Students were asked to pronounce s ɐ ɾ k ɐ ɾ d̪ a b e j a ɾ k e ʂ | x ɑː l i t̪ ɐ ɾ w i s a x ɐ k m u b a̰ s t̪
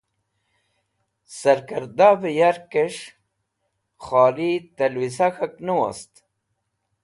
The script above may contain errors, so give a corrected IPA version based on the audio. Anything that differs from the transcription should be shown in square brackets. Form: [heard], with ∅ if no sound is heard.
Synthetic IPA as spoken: s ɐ ɾ k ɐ ɾ d̪ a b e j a ɾ k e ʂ | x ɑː l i t̪ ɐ [l] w i s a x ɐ k [n] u [w] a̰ s t̪